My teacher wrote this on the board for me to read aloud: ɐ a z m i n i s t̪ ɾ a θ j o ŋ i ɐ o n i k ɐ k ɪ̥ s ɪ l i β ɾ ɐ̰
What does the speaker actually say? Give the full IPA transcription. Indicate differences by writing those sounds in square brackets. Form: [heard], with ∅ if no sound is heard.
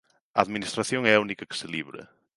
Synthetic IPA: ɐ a [ð] m i n i s t̪ ɾ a θ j o ŋ [ɛ] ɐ [u] n i k ɐ k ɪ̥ s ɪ l i β ɾ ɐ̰